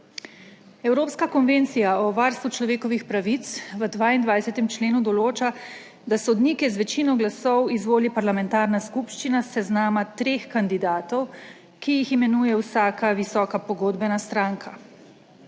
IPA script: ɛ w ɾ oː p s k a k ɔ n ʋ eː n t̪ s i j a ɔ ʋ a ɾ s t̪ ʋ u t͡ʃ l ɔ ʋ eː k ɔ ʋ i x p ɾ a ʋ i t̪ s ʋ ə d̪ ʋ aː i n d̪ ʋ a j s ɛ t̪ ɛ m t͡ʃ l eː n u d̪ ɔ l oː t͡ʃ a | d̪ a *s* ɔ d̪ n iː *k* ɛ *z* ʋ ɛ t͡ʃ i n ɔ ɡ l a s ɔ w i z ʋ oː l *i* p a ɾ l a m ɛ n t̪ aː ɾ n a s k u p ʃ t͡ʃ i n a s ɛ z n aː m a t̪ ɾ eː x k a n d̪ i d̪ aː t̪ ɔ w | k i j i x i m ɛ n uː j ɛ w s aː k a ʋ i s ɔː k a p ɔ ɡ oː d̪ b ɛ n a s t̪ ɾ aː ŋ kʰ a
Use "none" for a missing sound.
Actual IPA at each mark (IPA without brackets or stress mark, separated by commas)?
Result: s, k, z, i